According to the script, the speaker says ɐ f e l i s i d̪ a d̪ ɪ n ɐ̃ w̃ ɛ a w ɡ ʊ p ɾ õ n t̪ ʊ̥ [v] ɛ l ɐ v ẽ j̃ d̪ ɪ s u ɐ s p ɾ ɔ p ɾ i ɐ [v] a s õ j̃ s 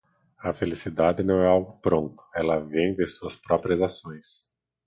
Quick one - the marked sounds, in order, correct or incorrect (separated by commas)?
incorrect, incorrect